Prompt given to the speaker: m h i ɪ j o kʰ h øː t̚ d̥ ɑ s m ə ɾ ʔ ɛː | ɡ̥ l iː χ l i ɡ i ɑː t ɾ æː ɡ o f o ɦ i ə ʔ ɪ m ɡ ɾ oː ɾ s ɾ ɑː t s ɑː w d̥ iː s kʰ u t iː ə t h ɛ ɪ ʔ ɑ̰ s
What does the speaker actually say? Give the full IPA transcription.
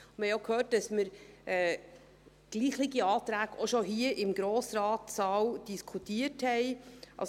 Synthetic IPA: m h ɛ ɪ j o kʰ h øː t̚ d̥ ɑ s m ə ɾ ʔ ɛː | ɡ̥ l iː χ l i ɡ i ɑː t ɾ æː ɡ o ʃ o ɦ i ə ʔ ɪ m ɡ ɾ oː s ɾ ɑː t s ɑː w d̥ i s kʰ u t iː ə t h ɛ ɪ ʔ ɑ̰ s